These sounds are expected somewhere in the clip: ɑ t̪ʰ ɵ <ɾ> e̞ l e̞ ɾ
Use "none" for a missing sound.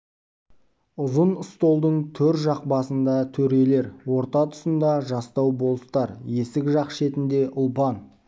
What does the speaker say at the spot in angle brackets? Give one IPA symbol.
ɾ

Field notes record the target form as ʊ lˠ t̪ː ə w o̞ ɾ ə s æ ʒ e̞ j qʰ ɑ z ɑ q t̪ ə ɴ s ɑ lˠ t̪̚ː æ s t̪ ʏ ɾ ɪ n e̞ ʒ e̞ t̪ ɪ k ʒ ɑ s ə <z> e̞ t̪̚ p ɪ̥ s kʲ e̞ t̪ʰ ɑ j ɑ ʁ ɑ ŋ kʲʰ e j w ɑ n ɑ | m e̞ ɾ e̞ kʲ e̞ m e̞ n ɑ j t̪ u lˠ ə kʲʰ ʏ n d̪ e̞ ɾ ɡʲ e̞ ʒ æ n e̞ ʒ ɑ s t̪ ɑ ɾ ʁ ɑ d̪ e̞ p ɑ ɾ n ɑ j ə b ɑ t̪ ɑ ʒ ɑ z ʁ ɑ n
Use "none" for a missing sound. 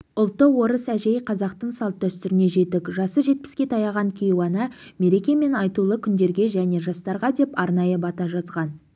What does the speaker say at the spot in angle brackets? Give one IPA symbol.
ʒ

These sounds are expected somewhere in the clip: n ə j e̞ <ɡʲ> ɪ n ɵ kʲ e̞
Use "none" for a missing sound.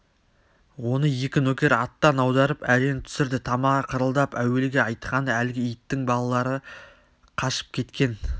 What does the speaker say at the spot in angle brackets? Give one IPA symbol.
kʲ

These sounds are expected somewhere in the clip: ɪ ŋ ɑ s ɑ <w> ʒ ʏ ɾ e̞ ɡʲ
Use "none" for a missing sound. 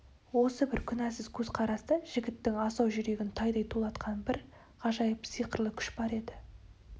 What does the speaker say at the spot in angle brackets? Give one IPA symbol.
w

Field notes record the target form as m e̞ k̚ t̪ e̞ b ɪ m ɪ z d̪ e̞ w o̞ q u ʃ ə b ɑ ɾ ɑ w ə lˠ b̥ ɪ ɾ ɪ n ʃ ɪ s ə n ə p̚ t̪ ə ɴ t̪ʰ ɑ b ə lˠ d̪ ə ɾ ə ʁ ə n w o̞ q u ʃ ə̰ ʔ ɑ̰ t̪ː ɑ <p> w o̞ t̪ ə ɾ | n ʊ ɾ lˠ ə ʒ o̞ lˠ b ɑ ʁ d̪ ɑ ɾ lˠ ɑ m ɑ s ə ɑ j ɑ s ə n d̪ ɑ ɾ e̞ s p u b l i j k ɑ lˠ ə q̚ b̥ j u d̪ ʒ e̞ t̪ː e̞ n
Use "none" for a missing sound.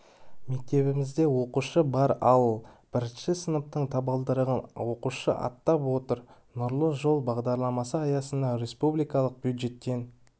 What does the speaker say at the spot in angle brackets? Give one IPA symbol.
p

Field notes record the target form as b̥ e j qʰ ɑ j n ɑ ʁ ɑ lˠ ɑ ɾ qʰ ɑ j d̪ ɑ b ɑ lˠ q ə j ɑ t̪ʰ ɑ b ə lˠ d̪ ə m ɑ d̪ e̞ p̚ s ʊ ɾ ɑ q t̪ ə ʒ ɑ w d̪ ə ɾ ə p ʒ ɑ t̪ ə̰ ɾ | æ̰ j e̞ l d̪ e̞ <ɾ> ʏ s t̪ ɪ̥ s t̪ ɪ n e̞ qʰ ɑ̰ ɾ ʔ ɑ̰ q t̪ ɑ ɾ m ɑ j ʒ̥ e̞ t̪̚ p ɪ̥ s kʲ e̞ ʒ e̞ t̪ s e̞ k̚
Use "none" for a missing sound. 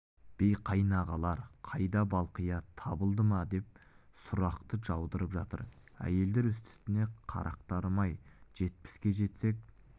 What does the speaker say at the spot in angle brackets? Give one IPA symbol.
ɾ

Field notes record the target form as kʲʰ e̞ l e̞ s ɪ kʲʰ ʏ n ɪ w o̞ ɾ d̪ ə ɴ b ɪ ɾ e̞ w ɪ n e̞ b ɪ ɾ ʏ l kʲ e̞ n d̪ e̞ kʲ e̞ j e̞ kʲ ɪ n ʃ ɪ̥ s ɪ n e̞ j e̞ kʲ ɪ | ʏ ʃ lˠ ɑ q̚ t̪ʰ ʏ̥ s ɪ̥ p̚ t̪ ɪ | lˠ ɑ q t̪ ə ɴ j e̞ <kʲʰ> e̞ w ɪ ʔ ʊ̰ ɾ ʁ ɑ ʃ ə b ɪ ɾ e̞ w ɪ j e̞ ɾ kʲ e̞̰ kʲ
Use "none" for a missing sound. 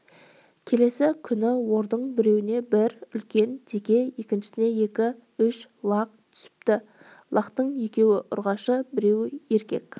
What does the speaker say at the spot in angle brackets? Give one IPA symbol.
kʲ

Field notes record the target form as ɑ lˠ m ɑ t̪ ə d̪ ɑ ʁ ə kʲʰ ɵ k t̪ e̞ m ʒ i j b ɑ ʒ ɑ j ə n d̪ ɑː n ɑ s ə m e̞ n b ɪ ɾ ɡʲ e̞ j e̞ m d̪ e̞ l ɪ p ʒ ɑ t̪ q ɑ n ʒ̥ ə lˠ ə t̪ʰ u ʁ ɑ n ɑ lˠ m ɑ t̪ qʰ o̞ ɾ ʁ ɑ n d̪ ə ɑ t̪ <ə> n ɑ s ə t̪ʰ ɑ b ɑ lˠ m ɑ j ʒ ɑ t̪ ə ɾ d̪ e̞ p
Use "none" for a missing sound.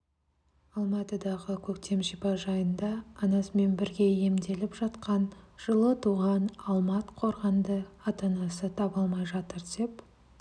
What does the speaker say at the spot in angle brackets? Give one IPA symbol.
ɑ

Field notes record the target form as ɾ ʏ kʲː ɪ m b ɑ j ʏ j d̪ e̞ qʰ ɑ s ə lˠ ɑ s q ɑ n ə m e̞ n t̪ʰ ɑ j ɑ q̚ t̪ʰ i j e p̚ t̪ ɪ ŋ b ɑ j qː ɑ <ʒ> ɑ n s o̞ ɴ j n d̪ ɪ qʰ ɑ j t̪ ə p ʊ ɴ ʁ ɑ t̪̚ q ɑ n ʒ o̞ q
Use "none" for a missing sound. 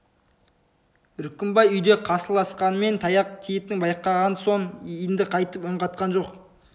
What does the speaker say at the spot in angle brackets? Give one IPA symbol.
ʁ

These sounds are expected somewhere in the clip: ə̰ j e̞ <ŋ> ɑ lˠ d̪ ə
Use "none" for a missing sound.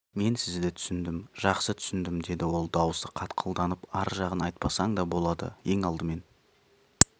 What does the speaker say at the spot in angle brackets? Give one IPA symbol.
ŋ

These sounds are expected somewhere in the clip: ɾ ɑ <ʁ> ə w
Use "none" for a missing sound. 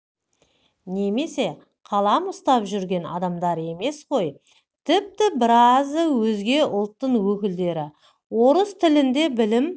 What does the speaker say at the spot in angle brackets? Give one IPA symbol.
z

